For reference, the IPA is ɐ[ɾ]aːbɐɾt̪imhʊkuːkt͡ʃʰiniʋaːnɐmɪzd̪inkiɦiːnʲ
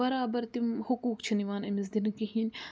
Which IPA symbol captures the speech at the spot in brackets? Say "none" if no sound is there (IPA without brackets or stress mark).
ɾ